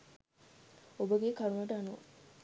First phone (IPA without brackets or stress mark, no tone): o